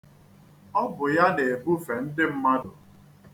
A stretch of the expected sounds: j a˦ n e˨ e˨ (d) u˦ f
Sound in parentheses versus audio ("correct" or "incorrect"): incorrect